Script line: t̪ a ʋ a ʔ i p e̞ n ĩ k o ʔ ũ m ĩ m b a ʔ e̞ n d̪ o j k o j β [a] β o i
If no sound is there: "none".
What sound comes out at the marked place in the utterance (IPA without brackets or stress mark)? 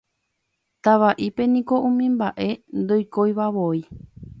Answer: a